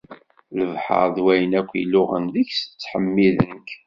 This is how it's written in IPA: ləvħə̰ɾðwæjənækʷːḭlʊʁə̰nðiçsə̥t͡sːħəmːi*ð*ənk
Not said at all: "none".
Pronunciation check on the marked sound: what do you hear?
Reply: ð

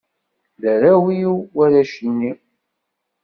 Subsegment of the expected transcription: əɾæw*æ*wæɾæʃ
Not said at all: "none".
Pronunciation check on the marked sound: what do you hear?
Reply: i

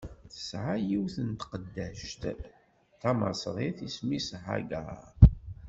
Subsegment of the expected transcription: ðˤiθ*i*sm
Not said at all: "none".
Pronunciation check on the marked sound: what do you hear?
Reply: i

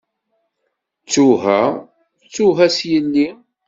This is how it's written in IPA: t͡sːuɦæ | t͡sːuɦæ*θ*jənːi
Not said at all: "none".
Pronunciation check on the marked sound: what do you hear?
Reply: s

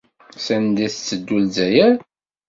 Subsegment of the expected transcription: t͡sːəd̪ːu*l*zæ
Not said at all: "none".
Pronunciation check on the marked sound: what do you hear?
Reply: l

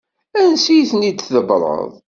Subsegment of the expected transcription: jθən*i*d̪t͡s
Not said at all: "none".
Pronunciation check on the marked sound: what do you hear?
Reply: i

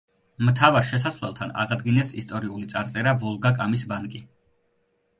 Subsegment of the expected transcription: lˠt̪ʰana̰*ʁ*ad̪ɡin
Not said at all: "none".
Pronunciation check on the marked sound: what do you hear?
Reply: ʁ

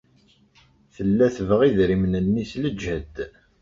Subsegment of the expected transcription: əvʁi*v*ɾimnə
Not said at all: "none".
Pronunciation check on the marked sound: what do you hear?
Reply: ð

